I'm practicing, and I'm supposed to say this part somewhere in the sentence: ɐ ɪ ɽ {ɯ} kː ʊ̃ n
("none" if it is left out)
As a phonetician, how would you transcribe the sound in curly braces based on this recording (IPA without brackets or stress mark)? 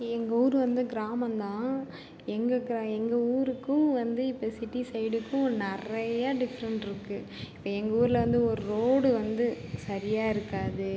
ɯ